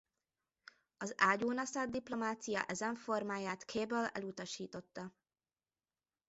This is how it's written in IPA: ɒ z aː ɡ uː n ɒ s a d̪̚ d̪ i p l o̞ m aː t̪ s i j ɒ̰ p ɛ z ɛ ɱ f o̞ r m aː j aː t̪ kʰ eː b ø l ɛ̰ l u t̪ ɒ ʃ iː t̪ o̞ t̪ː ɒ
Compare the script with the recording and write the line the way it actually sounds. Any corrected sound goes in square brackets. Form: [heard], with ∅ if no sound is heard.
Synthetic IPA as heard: ɒ z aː [ɟ] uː n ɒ s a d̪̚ d̪ i p l o̞ m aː t̪ s i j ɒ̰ [ʔ] ɛ z ɛ ɱ f o̞ r m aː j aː t̪ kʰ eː b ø l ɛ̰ l u t̪ ɒ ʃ iː t̪ o̞ t̪ː ɒ